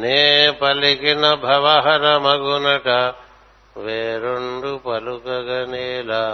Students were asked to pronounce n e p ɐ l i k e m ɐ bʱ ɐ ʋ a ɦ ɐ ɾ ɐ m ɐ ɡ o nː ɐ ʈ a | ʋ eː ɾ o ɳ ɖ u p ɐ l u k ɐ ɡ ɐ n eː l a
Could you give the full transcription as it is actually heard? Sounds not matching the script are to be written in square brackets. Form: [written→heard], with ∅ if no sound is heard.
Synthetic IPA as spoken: n e p ɐ l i k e [m→n] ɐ bʱ ɐ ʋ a ɦ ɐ ɾ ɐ m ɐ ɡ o [nː→n] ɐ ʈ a | ʋ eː ɾ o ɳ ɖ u p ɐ l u k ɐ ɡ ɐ n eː l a